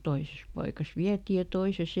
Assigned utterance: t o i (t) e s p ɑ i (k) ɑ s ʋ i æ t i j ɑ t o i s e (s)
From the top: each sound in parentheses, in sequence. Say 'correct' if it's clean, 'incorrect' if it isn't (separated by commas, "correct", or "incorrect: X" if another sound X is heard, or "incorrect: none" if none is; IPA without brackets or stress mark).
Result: incorrect: s, correct, correct